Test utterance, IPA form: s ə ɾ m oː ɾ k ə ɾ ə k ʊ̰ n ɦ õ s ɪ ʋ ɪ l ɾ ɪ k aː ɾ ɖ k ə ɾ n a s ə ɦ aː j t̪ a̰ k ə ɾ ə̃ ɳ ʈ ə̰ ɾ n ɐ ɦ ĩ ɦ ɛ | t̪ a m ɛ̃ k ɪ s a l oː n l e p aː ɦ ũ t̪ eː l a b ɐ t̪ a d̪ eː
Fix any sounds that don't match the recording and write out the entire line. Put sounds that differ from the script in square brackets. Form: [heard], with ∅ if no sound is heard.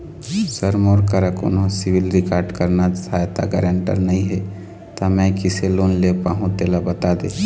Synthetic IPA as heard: s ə ɾ m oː ɾ k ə ɾ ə k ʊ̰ n ɦ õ s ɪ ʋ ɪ l ɾ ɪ k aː ɾ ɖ k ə ɾ n a s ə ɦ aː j t̪ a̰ [ɡ] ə ɾ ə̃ ɳ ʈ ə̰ ɾ n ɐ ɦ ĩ ɦ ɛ | t̪ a m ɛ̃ k ɪ s [e] l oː n l e p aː ɦ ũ t̪ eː l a b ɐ t̪ a d̪ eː

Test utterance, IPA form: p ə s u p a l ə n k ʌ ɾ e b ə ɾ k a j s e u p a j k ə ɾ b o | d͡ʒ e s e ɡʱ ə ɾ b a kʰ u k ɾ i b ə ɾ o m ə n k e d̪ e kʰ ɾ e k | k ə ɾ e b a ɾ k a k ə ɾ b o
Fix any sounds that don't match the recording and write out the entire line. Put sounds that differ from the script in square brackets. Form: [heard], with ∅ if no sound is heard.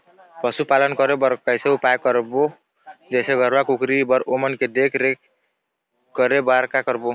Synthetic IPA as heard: p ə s u p a l ə n k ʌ ɾ e b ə ɾ k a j s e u p a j k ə ɾ b o | d͡ʒ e s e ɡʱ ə ɾ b a [k] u k ɾ i b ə ɾ o m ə n k e d̪ e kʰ ɾ e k | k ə ɾ e b a ɾ k a k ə ɾ b o

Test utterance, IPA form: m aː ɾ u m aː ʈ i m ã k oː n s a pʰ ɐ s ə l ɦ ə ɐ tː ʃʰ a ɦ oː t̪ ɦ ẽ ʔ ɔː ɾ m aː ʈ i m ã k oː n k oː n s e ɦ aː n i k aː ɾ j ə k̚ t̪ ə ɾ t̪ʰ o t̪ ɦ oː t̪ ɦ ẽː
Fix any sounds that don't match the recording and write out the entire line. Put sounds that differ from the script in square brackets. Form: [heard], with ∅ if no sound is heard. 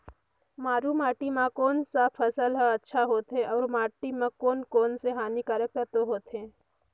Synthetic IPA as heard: m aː ɾ u m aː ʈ i m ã k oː n s a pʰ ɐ s ə l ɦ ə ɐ tː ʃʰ a ɦ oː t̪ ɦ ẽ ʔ ɔː ɾ m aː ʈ i m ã k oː n k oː n s e ɦ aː n i k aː ɾ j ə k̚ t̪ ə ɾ [t̪] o [∅] ɦ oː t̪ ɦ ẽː

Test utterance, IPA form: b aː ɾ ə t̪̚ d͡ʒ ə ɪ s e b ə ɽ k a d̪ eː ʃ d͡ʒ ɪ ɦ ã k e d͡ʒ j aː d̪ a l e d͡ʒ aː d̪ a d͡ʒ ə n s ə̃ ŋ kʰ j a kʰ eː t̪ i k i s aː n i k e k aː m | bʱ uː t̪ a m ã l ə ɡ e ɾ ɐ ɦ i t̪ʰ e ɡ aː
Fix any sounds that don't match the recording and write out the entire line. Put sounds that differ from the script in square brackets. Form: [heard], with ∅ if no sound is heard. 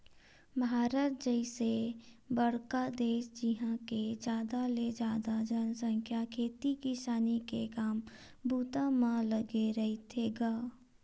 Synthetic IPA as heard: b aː ɾ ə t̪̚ d͡ʒ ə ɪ s e b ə ɽ k a d̪ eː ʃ d͡ʒ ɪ ɦ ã k e d͡ʒ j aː d̪ a l e d͡ʒ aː d̪ a d͡ʒ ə n s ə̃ ŋ kʰ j a kʰ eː t̪ i k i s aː n i k e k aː m | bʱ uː t̪ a m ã l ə ɡ e ɾ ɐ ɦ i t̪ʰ e ɡ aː

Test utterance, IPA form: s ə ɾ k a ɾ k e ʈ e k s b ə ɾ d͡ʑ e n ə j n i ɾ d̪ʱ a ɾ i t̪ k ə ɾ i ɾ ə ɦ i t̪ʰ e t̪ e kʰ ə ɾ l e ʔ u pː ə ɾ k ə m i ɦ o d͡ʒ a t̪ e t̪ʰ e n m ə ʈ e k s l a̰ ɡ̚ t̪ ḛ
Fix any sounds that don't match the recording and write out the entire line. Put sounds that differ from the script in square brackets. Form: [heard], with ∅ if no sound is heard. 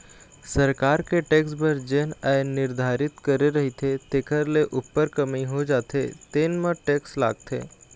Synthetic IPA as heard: s ə ɾ k a ɾ k e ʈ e k s b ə ɾ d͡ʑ e n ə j n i ɾ d̪ʱ a ɾ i t̪ k ə ɾ [e] ɾ ə ɦ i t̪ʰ e t̪ e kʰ ə ɾ l e ʔ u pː ə ɾ k ə m i ɦ o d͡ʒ a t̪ e [t̪] e n m ə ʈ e k s l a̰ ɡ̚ t̪ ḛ

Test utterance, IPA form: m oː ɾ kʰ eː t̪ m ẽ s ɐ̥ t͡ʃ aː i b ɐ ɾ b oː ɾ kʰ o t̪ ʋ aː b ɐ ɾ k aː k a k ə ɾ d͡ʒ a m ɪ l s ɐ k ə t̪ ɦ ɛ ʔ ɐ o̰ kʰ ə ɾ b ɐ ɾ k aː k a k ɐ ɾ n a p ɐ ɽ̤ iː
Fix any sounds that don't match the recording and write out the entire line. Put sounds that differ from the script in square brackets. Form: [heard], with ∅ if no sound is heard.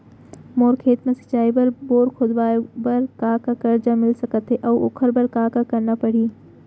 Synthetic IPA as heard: m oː ɾ kʰ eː t̪ m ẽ s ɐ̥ t͡ʃ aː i b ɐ ɾ b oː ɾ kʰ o [d̪] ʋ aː b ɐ ɾ k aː k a k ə ɾ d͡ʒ a m ɪ l s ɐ k ə t̪ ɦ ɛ ʔ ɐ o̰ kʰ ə ɾ b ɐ ɾ k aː k a k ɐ ɾ n a p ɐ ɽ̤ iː

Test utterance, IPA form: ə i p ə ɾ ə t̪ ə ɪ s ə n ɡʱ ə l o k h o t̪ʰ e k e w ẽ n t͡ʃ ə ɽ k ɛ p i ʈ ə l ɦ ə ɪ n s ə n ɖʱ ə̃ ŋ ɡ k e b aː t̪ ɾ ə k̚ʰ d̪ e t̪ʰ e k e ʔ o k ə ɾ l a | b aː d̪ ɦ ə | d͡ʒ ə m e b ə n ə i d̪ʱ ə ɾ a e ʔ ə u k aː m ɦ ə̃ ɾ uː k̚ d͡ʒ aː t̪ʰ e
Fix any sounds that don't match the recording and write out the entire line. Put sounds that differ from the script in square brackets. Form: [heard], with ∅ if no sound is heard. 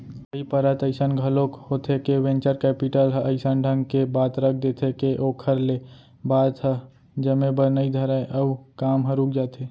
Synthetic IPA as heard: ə i p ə ɾ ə t̪ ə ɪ s ə n ɡʱ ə l o k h o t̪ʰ e k e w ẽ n t͡ʃ ə [ɾ] k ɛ p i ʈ ə l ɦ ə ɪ [∅] s ə n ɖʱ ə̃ ŋ ɡ k e b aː t̪ ɾ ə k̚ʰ d̪ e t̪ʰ e k e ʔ o [kʰ] ə ɾ l [e] | b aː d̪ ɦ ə | d͡ʒ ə m e b ə n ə i d̪ʱ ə ɾ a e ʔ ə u k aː m ɦ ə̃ ɾ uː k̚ d͡ʒ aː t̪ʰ e

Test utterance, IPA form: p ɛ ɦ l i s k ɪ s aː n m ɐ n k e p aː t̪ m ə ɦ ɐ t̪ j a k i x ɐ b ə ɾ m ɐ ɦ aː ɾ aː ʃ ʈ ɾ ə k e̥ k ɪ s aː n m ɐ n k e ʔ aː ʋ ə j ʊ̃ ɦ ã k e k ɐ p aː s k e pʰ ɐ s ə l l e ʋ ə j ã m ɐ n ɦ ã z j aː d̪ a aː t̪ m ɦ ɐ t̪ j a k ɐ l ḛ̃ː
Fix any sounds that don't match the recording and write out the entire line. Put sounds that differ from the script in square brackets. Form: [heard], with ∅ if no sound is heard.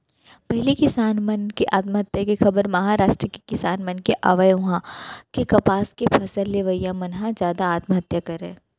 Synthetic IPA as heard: p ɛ ɦ l i [∅] k ɪ s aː n m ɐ n k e [ʔ] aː t̪ m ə ɦ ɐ t̪ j a k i x ɐ b ə ɾ m ɐ ɦ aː ɾ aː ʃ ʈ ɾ ə k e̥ k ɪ s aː n m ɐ n k e ʔ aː ʋ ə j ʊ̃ ɦ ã k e k ɐ p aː s k e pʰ ɐ s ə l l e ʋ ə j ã m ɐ n ɦ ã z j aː d̪ a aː t̪ m ɦ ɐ t̪ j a k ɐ [ɾ] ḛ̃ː

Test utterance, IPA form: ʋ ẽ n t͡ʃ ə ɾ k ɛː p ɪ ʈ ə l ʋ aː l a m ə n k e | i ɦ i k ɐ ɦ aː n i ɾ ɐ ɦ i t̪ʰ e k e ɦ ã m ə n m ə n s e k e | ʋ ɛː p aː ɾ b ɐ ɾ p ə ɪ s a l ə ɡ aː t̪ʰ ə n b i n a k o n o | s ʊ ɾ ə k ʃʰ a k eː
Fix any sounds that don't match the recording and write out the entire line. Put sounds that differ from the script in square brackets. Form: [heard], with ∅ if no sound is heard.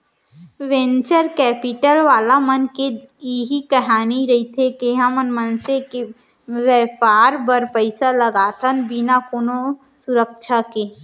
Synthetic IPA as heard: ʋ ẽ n t͡ʃ ə ɾ k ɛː p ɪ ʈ ə l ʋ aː l a m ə n k e | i ɦ i k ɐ ɦ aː n i ɾ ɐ ɦ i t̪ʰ e k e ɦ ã m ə n m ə n s e k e | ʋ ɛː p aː ɾ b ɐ ɾ p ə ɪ s a l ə ɡ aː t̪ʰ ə n b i n a k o n o | s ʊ ɾ ə k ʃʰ a k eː

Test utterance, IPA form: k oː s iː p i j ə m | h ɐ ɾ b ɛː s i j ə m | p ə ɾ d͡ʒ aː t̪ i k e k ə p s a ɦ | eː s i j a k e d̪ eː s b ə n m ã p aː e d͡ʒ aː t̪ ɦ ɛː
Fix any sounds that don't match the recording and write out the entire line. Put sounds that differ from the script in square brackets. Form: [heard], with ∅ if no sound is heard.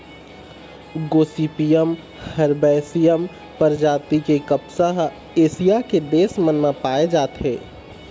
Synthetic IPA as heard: [ɡ] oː s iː p i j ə m | h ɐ ɾ b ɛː s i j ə m | p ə ɾ d͡ʒ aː t̪ i k e k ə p s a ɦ | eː s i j a k e d̪ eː s [m] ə n m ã p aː e d͡ʒ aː t̪ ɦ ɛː

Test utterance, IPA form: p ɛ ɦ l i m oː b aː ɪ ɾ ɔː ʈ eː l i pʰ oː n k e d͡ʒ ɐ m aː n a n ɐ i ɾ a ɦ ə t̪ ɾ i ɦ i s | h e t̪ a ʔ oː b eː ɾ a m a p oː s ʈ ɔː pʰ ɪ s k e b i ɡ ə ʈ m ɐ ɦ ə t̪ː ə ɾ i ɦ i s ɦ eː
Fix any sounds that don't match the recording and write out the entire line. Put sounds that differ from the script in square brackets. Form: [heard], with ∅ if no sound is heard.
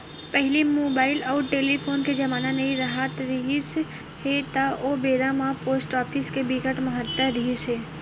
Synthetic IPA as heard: p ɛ ɦ l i m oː b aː ɪ [l] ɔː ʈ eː l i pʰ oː n k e d͡ʒ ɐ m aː n a n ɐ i ɾ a ɦ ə t̪ ɾ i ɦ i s | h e t̪ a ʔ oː b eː ɾ a m a p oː s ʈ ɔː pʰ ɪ s k e b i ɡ ə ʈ m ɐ ɦ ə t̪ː ə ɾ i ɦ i s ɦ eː

